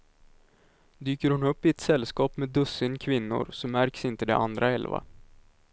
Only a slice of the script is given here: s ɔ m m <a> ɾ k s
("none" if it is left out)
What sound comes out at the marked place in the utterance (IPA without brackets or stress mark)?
æ